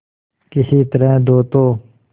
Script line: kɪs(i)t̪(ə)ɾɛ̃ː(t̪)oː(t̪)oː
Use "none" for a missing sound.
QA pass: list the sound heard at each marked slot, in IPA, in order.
iː, ə, d̪, t̪

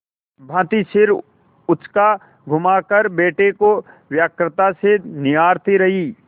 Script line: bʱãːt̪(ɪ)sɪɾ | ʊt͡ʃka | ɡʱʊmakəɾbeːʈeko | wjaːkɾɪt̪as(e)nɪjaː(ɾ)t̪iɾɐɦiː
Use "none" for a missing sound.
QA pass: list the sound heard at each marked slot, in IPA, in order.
i, e, ɾ

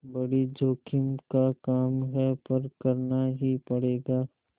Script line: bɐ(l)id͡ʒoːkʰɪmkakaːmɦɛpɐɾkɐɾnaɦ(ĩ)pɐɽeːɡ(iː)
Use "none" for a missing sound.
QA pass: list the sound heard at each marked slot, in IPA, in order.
ɽ, i, aː

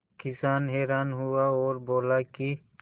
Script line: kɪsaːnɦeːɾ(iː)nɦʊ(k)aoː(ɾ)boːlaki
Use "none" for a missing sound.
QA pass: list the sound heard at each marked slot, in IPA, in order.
aː, none, ɾ

